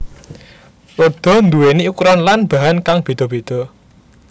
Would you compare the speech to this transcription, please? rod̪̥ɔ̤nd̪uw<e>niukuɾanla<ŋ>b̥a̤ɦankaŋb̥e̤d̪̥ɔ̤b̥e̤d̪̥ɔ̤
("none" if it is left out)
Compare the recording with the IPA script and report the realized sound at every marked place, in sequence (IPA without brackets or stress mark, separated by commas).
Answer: e, n